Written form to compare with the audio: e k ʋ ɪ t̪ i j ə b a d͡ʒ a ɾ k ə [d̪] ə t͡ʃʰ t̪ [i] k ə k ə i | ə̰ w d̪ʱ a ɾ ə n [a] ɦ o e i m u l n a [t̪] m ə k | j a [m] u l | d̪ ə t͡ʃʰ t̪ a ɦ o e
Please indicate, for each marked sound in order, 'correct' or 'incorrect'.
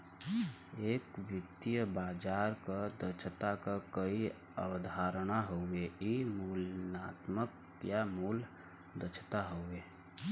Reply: correct, incorrect: a, correct, correct, correct

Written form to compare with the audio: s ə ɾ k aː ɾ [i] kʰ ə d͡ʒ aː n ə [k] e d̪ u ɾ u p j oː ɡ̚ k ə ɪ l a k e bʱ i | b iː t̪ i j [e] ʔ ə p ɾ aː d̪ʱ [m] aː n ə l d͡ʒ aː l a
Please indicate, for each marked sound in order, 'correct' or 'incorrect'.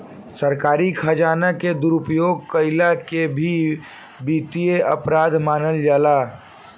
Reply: correct, correct, correct, correct

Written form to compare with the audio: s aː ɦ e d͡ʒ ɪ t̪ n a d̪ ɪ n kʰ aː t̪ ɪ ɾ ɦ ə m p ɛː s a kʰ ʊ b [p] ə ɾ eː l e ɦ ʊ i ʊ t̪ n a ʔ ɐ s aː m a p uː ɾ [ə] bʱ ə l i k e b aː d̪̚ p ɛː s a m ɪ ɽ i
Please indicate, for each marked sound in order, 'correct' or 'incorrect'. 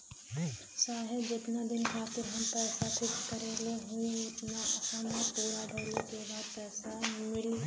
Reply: incorrect: k, incorrect: a

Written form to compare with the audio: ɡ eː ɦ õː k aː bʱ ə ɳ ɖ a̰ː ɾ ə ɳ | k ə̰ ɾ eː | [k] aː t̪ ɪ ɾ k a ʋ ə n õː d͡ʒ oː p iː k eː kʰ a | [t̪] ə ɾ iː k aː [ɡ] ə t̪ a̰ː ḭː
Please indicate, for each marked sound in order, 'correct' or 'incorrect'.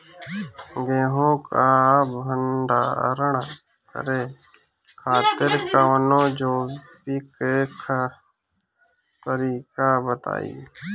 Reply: incorrect: kʰ, correct, incorrect: b

